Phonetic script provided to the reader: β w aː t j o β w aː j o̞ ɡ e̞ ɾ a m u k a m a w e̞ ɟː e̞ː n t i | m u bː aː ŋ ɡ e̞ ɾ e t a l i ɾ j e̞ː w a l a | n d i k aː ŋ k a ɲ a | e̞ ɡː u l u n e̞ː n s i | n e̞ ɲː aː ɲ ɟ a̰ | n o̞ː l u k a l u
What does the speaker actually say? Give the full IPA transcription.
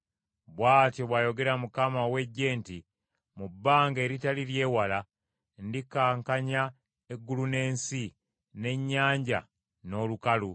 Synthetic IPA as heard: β w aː t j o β w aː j o̞ ɡ e̞ ɾ a m u k a m a w e̞ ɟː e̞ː n t i | m u bː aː ŋ ɡ e̞ ɾ i t a l i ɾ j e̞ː w a l a | n d i k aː ŋ k a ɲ a | e̞ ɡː u l u n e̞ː n s i | n e̞ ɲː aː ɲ ɟ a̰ | n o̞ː l u k a l u